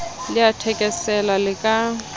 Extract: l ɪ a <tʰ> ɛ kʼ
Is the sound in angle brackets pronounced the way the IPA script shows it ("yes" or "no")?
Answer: yes